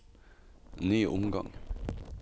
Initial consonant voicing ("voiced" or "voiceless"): voiced